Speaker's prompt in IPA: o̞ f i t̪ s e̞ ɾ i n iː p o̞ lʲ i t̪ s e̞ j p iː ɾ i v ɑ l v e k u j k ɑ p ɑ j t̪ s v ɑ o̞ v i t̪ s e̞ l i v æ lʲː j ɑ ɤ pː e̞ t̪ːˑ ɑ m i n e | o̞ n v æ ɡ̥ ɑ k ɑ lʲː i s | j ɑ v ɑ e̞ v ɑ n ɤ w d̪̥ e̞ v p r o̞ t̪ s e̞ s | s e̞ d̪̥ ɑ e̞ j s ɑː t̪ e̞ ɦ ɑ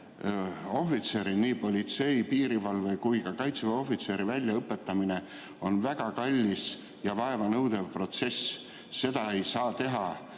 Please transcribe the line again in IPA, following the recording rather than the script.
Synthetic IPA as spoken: o̞ f i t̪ s e̞ ɾ i n iː p o̞ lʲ i t̪ s e̞ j p iː ɾ i v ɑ l v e k u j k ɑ k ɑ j t̪ s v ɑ o̞ f i t̪ s e̞ ɾ i v æ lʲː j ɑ ɤ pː e̞ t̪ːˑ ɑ m i n e | o̞ n v æ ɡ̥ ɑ k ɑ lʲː i s | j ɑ v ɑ e̞ v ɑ n ɤ w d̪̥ e̞ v p r o̞ t̪ s e̞ s | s e̞ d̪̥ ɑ e̞ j s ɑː t̪ e̞ ɦ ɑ